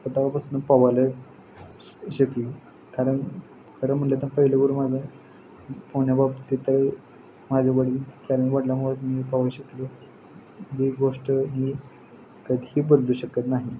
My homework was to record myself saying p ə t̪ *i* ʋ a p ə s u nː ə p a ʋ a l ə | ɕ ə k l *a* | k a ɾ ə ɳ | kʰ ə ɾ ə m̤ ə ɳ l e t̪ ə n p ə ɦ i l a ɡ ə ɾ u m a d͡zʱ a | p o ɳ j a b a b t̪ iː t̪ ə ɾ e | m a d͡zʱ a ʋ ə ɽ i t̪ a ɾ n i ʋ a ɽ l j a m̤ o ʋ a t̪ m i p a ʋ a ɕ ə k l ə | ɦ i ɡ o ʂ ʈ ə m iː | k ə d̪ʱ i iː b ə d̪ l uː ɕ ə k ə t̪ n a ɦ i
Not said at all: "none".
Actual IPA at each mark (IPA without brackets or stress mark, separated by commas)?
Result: a, i